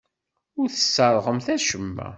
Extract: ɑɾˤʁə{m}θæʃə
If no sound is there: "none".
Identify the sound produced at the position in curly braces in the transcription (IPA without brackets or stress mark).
m